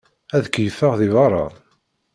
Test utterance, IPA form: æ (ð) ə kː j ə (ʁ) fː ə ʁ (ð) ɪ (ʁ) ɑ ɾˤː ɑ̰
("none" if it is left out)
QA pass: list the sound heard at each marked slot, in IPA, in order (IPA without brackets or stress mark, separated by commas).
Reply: ð, none, ð, v